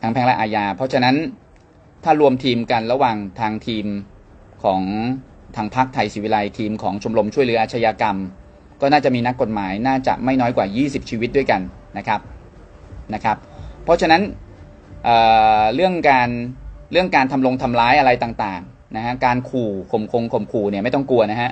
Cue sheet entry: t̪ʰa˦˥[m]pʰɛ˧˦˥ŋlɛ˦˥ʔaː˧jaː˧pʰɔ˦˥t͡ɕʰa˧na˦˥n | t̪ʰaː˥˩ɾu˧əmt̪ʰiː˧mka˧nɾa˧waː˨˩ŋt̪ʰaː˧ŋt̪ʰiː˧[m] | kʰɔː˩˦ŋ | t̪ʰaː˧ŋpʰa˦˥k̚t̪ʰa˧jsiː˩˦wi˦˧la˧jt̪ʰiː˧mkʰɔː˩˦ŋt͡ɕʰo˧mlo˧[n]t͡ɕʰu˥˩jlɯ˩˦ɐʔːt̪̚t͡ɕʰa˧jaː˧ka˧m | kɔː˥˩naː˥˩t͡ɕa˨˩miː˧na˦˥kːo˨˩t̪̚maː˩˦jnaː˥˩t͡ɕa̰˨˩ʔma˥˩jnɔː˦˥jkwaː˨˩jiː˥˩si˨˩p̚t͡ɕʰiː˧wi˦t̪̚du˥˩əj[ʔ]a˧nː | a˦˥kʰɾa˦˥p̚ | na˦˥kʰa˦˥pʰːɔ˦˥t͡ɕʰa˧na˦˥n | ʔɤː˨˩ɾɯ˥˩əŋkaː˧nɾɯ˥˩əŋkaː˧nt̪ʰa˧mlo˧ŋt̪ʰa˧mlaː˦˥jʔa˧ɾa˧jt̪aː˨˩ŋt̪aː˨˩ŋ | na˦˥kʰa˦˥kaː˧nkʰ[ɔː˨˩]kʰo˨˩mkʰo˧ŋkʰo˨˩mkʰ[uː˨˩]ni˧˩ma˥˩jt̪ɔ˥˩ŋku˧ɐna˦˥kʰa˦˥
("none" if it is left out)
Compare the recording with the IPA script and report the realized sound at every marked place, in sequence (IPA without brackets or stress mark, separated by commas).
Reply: ŋ, m, m, k, uː˨˩, uː˨˩